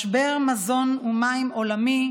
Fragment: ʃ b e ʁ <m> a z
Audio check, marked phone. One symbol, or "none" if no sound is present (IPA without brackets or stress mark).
m